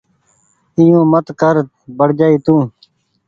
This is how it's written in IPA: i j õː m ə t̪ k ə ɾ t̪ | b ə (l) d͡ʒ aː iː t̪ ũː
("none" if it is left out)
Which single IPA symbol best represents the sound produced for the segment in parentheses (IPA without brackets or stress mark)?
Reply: ɽ